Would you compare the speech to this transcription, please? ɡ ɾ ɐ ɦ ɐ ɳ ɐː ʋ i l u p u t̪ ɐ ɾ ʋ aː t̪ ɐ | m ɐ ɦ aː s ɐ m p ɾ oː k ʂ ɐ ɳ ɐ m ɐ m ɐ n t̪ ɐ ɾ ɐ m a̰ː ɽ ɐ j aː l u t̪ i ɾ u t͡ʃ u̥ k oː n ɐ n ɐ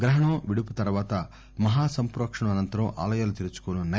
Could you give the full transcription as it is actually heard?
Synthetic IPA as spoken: ɡ ɾ ɐ ɦ ɐ ɳ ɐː ʋ i ɽ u p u t̪ ɐ ɾ ʋ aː t̪ ɐ | m ɐ ɦ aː s ɐ m p ɾ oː k ʂ ɐ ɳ ɐ m ɐ n ɐ n t̪ ɐ ɾ ɐ m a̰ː l ɐ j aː l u t̪ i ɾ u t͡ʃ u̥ k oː n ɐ n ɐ